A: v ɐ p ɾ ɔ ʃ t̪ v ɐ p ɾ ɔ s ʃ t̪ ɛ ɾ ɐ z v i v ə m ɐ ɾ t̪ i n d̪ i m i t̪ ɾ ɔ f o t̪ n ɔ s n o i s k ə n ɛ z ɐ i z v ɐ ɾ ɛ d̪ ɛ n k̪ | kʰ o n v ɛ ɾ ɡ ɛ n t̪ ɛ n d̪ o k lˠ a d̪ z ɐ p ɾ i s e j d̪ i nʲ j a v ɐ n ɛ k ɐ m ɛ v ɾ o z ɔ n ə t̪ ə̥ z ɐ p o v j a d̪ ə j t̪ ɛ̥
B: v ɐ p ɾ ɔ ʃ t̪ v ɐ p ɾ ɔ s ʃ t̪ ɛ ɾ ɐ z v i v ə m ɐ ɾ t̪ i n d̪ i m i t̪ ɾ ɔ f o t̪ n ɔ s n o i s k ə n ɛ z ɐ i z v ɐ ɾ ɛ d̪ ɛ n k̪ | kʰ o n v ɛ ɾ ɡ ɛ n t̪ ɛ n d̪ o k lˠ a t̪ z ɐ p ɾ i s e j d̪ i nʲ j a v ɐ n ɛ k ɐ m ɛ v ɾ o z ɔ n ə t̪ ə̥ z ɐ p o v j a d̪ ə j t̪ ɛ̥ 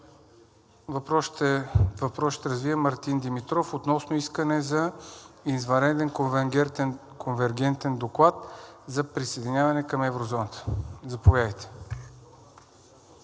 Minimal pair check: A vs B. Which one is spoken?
B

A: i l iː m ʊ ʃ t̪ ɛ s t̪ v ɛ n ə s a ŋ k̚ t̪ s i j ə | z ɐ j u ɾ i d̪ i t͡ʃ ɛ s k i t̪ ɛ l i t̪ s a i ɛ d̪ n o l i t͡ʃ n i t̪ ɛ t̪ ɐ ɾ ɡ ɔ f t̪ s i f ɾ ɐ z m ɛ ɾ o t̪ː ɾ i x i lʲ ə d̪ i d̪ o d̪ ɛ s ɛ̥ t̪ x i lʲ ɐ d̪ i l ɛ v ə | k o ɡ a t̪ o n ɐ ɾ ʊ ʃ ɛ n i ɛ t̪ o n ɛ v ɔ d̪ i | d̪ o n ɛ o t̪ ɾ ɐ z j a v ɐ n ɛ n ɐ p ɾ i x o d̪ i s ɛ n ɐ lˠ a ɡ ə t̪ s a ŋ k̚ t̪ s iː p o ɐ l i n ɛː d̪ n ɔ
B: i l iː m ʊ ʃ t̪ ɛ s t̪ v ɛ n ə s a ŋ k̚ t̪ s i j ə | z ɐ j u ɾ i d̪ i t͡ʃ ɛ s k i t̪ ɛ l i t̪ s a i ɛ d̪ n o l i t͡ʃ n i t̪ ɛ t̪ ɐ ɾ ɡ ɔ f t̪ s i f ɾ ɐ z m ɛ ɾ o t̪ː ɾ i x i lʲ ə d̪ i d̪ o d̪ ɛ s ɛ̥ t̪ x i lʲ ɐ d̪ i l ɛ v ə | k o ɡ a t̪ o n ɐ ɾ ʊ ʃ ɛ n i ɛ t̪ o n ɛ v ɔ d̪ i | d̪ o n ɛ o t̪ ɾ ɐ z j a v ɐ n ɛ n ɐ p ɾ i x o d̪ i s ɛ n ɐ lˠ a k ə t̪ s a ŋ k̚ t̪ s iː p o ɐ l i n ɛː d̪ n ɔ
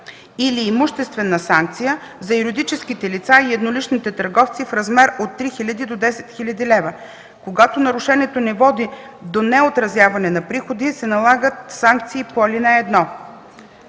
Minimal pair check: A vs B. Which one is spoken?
A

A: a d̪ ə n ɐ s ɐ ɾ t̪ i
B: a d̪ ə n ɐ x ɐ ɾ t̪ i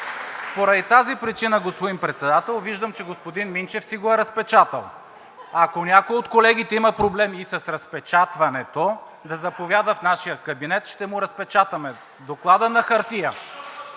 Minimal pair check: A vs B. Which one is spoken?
B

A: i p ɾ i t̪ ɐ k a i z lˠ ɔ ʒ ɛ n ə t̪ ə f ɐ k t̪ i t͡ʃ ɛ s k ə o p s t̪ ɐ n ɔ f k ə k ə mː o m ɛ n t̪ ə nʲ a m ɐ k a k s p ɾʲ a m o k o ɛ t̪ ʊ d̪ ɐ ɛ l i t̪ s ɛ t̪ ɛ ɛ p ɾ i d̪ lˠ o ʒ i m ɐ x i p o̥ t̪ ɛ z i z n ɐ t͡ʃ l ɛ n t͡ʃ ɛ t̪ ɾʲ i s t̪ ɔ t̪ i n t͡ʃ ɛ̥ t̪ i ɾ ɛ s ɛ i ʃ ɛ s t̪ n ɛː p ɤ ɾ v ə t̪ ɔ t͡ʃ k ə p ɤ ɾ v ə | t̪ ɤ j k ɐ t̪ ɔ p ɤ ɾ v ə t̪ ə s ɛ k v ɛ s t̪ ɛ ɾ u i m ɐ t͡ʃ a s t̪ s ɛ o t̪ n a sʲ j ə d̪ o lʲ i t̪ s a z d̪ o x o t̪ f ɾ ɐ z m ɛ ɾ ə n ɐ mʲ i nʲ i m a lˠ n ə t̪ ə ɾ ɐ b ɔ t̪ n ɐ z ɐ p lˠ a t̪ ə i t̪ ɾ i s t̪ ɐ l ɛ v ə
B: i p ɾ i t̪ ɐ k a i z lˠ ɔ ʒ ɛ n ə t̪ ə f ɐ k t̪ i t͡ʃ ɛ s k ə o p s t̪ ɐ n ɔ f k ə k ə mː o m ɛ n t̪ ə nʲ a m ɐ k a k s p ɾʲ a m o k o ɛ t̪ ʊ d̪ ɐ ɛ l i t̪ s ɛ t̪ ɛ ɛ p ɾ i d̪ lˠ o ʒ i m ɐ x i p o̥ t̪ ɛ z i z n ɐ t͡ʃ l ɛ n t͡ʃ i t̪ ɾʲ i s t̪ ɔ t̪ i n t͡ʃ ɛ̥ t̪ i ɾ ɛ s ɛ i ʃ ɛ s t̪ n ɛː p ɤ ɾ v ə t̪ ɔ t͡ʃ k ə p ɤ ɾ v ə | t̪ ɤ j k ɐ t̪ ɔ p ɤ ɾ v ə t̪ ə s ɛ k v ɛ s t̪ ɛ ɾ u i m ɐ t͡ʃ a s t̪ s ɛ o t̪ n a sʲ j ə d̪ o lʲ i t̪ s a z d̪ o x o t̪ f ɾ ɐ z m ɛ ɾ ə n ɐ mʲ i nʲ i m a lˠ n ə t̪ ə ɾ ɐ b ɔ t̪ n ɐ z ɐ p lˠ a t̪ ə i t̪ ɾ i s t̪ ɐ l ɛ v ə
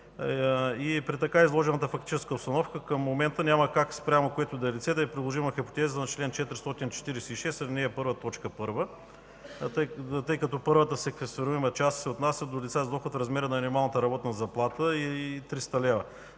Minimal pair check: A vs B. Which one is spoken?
A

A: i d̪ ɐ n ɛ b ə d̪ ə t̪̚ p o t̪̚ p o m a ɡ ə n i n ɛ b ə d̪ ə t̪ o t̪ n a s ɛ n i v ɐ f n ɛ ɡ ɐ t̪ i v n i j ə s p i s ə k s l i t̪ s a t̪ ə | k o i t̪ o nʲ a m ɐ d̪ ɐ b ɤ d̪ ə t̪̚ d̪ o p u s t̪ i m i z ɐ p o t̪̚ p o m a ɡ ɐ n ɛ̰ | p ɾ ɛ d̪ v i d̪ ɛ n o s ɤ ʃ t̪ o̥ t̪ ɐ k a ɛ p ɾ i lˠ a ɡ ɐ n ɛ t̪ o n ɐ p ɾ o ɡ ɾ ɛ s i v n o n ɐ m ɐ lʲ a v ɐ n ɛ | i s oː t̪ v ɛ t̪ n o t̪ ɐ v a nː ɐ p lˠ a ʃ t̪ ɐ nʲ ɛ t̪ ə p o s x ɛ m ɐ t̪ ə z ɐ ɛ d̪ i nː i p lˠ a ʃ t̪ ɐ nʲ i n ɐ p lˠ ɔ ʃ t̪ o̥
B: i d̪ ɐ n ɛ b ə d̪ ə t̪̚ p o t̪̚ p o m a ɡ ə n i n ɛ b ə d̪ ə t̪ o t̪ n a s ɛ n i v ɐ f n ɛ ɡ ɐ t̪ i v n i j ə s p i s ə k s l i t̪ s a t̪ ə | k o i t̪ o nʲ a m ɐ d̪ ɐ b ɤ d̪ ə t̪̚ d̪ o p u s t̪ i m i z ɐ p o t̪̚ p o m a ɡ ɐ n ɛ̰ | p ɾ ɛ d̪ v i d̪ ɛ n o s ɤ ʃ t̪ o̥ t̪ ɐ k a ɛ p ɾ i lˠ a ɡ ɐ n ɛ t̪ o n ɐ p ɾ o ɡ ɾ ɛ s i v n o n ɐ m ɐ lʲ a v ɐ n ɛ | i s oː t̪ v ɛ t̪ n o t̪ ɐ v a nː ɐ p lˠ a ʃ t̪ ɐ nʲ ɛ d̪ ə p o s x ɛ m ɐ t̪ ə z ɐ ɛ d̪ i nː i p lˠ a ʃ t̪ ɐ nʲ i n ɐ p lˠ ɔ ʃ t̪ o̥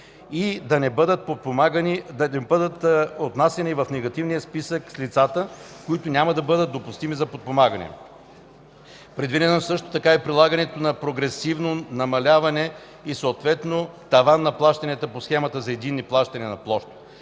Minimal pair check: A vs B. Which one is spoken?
A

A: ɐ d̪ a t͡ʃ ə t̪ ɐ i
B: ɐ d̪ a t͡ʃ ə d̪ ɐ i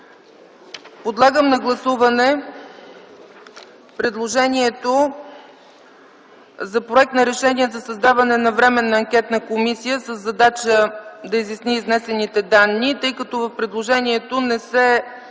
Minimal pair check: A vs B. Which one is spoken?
B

